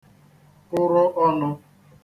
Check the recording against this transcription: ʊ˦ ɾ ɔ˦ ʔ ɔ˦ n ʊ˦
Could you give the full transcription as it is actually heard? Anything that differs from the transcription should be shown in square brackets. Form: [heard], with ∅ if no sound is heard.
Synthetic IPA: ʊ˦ ɾ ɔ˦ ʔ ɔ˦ n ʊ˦